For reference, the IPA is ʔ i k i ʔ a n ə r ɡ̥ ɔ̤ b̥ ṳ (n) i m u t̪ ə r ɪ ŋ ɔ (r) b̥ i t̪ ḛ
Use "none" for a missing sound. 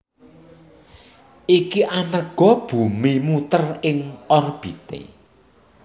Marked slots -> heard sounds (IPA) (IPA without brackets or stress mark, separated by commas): m, r